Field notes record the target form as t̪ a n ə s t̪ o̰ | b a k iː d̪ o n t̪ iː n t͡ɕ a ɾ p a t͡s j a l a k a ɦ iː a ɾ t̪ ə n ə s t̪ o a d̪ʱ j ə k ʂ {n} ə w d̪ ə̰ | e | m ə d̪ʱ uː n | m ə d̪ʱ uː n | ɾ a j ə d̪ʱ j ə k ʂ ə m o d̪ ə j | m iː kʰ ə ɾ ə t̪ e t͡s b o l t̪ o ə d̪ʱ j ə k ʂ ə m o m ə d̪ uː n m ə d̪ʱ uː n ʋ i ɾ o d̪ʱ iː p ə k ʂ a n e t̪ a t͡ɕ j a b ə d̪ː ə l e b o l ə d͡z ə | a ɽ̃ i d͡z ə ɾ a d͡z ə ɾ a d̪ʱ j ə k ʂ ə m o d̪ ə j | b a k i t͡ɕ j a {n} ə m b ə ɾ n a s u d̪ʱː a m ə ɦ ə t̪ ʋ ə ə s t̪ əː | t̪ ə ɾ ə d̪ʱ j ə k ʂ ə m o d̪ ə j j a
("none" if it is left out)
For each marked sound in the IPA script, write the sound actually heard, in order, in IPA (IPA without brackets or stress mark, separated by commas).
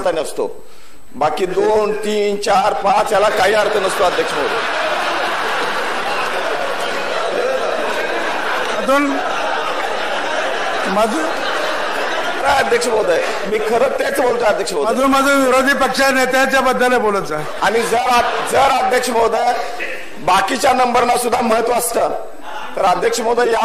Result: m, n